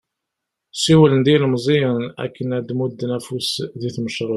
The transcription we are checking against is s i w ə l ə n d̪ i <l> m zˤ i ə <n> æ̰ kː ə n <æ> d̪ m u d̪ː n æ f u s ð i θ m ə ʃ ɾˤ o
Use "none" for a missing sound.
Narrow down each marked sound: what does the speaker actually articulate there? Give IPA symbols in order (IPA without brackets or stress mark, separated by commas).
l, n, æ